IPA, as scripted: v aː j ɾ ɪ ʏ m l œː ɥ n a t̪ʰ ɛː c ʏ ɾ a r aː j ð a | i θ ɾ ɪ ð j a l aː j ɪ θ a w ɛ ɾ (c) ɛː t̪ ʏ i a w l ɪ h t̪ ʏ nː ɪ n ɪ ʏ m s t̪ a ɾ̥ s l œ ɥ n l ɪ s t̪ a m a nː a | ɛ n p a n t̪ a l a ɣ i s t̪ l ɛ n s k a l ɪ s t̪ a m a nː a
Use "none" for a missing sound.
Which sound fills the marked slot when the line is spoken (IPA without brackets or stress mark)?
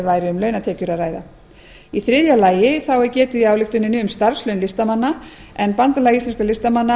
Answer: c